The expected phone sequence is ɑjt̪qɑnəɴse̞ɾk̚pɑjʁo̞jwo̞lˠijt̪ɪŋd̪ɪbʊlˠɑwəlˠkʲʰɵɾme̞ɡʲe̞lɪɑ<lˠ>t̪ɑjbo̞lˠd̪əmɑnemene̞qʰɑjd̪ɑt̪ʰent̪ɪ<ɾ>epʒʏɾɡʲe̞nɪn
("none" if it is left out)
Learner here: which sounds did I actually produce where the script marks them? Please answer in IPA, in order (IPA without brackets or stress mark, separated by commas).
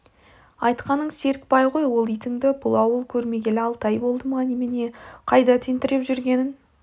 lˠ, ɾ